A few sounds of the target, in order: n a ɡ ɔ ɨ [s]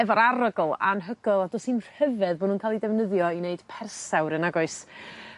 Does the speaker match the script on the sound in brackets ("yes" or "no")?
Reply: yes